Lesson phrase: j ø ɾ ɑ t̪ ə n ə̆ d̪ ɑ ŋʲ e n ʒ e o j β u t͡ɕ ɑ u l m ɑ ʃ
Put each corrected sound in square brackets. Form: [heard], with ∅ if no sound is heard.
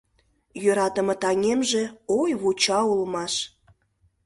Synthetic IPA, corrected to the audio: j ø ɾ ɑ t̪ ə [m] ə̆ [t̪] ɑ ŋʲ e [m] ʒ e o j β u t͡ɕ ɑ u l m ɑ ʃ